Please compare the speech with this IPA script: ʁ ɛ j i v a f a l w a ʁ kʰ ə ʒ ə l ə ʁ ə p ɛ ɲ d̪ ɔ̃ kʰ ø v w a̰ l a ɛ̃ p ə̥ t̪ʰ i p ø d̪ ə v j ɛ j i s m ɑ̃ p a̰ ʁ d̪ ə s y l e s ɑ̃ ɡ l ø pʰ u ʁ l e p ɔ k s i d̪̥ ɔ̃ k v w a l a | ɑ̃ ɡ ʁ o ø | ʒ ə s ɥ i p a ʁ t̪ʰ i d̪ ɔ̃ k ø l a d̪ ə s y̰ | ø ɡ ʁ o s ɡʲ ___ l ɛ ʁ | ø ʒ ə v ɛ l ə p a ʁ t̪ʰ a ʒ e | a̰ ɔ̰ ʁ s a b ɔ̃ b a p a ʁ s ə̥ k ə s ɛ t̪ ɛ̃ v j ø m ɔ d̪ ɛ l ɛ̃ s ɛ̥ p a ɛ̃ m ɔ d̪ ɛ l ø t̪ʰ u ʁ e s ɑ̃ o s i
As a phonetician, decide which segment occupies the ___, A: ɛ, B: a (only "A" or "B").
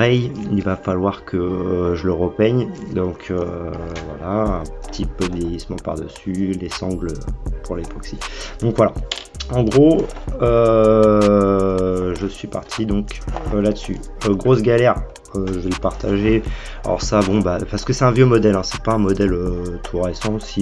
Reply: B